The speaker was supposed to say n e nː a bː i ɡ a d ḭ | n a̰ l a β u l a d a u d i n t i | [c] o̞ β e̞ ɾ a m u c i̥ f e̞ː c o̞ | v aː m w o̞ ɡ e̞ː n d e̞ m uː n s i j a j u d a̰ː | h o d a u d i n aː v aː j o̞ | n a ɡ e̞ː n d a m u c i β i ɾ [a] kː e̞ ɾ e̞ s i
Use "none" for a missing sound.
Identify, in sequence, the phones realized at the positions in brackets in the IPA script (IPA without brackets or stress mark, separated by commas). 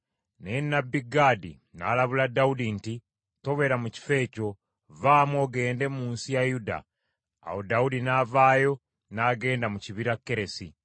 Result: t, a